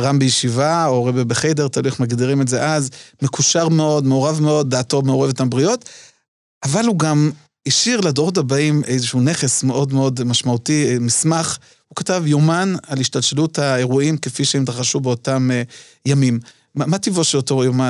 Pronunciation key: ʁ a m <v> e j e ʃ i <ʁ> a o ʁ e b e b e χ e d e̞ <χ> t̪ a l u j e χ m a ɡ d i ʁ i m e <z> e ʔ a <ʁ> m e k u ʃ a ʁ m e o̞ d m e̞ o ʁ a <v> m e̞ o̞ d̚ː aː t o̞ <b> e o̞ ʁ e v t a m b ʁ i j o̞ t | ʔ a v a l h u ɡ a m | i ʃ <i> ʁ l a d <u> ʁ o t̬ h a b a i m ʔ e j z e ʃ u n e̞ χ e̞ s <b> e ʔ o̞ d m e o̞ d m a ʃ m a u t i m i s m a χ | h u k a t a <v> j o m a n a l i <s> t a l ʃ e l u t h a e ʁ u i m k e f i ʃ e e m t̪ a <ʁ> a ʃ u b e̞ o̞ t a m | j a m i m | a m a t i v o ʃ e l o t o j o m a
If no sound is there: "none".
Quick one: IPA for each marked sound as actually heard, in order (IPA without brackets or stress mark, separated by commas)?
b, v, ʁ, z, z, v, m, i, o, m, v, ʃ, χ